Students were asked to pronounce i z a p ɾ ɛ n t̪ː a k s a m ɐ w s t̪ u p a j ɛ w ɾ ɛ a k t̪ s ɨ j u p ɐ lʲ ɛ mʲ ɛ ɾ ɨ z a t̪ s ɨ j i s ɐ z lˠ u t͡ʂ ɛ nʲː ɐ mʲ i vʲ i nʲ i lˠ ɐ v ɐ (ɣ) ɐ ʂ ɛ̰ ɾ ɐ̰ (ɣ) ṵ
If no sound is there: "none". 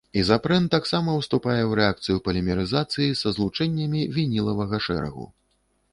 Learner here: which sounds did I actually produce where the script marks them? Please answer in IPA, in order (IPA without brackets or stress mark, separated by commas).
ɣ, ɣ